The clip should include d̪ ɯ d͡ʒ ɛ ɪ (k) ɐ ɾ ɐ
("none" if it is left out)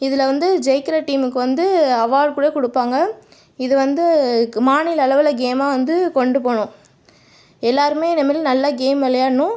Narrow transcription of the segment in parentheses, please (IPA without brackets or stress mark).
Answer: k